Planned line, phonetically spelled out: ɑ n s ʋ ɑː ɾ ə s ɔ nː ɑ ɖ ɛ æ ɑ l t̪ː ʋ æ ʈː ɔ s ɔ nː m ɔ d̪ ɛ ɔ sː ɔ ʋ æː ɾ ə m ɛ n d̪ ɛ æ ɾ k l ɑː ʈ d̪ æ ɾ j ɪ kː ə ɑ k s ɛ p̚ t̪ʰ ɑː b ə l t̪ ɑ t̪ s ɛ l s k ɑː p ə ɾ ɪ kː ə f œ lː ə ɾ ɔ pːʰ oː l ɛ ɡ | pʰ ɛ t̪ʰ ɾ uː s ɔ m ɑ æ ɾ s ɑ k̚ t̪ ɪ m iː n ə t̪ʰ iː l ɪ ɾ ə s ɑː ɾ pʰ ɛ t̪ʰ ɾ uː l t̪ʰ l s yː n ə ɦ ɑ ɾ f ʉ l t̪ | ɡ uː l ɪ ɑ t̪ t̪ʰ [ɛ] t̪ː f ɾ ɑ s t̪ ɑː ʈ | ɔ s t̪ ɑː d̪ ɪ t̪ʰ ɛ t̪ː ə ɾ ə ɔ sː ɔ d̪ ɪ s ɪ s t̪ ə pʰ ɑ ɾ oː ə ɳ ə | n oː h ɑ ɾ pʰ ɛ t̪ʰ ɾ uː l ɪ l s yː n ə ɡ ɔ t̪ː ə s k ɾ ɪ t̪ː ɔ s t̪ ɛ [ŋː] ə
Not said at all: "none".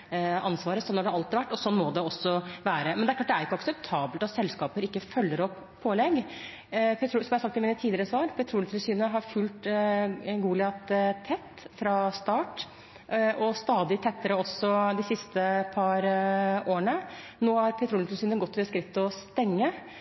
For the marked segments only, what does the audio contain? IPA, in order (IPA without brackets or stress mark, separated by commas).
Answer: ɛ, ŋː